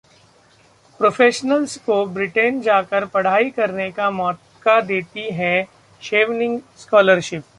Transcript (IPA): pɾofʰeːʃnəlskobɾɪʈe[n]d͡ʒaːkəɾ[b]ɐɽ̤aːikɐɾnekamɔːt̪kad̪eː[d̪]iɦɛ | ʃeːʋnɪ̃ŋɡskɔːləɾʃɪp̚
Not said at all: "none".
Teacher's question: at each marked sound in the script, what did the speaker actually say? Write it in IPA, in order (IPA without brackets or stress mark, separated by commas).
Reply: n, p, t̪